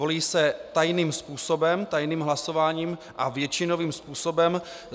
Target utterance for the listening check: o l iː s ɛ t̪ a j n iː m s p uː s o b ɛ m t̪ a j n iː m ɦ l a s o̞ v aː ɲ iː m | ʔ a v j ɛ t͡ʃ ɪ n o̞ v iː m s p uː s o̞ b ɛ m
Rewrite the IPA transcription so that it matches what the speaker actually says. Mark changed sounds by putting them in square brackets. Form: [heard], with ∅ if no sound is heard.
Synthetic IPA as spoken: o l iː s ɛ t̪ a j n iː m s p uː s o b ɛ m t̪ a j n iː m ɦ l a s o̞ v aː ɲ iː m | ʔ a v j ɛ t͡ʃ ɪ n o̞ v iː m s p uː s o̞ b ɛ m